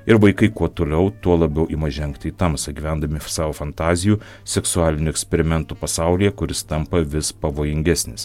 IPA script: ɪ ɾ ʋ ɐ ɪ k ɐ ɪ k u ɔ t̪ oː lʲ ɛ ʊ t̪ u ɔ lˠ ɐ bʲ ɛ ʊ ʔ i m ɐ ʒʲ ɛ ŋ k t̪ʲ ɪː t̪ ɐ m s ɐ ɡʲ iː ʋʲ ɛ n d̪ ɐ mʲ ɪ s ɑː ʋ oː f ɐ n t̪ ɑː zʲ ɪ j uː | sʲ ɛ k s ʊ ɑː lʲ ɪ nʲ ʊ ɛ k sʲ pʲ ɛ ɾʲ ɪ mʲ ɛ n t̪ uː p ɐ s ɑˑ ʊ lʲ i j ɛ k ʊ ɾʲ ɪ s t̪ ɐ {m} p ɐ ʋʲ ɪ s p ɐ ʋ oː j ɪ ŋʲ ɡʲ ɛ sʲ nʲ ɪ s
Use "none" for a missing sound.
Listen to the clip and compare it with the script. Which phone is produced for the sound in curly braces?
m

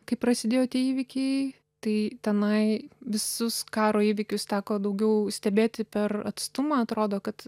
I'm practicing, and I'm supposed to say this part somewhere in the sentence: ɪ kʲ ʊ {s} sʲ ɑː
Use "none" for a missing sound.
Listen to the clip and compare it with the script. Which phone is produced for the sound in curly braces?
s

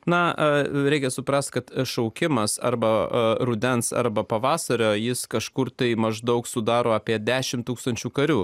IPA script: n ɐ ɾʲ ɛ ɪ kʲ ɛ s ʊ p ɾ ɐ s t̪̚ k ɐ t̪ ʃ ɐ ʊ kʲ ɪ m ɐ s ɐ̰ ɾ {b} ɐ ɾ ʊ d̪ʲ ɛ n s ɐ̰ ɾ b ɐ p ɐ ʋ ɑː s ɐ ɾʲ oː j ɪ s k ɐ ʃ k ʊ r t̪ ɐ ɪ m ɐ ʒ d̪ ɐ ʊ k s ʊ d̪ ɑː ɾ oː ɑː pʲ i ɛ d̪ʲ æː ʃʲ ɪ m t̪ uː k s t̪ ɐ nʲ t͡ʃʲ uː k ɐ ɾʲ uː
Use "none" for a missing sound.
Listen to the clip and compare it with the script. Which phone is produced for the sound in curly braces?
b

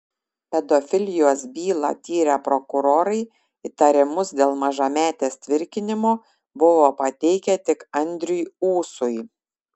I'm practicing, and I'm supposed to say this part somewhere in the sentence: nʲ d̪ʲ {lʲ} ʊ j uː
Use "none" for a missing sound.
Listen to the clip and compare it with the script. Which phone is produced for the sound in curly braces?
ɾʲ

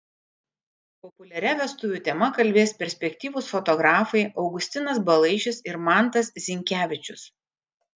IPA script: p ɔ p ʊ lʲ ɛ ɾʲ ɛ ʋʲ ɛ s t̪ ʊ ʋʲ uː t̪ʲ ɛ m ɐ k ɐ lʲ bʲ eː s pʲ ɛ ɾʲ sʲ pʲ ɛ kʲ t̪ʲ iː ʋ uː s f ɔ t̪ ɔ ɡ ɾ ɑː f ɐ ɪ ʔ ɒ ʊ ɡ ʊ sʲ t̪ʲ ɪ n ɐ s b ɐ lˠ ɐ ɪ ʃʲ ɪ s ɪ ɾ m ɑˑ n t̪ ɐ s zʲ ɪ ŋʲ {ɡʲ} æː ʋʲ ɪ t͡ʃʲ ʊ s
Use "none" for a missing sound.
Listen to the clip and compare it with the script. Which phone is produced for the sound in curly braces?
kʲ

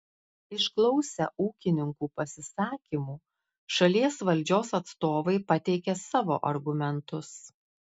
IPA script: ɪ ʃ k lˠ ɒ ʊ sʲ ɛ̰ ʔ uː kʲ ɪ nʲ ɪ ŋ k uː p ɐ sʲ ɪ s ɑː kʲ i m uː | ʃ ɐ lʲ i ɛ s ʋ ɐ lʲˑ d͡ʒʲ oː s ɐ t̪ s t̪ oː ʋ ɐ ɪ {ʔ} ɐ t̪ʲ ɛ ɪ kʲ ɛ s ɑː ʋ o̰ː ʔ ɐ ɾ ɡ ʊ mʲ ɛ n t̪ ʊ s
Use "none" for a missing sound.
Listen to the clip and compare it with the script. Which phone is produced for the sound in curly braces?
p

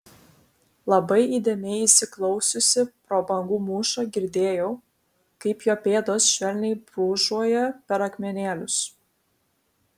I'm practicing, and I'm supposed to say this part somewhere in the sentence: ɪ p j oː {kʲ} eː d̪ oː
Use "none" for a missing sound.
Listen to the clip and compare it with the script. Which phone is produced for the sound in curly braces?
pʲ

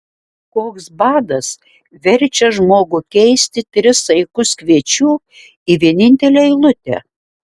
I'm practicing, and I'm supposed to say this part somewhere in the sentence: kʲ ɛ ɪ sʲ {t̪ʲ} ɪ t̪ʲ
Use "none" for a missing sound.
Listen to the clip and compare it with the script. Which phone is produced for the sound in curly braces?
t̪ʲ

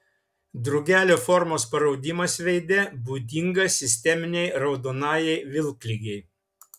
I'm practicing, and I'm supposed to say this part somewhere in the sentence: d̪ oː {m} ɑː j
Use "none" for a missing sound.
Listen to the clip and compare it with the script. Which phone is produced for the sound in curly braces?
n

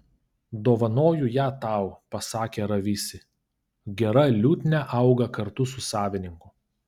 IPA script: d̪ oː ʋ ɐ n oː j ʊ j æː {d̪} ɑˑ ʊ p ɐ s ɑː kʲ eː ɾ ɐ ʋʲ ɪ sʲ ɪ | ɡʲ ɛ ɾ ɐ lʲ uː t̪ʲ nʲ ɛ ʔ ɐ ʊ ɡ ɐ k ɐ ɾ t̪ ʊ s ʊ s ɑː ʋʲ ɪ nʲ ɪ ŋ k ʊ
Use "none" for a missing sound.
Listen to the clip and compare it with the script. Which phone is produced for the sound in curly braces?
t̪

